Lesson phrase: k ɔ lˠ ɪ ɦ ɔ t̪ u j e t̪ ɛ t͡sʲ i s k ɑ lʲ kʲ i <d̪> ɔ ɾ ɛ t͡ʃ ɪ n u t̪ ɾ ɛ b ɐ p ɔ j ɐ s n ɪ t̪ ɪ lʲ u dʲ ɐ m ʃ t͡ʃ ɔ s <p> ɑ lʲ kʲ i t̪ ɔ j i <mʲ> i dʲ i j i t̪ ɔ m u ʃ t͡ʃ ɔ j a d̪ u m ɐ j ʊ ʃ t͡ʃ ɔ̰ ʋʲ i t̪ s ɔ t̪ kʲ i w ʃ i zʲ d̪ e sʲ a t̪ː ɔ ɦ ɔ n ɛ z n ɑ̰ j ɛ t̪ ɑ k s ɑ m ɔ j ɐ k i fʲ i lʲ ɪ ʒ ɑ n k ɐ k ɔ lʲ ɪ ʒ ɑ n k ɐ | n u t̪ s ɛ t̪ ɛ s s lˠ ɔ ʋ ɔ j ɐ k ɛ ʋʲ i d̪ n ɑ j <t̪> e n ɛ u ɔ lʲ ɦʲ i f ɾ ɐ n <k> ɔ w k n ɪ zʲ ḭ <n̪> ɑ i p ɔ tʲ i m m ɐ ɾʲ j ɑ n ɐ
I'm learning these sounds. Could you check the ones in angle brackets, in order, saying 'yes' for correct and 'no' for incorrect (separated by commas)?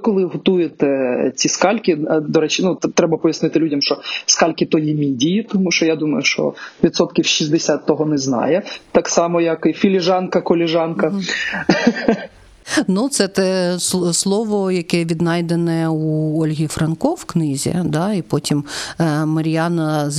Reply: yes, no, yes, no, yes, no